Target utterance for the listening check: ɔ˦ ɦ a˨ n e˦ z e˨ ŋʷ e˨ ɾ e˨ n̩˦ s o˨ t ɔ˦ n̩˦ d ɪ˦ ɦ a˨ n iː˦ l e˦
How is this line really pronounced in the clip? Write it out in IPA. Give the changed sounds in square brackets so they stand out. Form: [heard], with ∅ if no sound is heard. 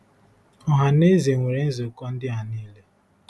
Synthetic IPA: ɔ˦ ɦ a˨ n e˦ z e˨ ŋʷ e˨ ɾ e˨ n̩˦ [z] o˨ [k] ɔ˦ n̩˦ d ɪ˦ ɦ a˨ n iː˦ l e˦